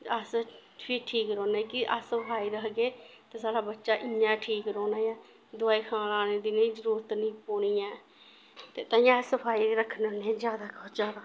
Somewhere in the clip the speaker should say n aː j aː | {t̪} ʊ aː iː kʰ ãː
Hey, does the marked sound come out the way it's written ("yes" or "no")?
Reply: no